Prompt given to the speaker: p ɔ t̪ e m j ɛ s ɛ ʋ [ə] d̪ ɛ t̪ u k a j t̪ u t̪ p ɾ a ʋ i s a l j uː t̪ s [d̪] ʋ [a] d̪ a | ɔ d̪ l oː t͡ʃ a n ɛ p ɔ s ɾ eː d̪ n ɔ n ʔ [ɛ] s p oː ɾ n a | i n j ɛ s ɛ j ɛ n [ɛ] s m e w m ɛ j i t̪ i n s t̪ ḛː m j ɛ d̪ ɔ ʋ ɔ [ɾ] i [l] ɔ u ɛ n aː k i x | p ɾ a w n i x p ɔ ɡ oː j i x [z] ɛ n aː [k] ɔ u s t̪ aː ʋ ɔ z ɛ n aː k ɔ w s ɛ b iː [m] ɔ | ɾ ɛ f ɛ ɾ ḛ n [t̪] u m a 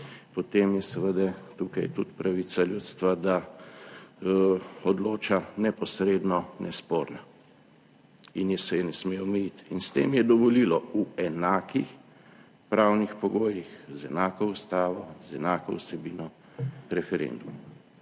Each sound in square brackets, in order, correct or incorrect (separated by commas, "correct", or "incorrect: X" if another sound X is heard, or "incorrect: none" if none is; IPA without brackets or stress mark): correct, incorrect: t̪, correct, correct, correct, incorrect: l, correct, correct, correct, incorrect: n, incorrect: d̪